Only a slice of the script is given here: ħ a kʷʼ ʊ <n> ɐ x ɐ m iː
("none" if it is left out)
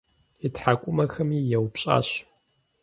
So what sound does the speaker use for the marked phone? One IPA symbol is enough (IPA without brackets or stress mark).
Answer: m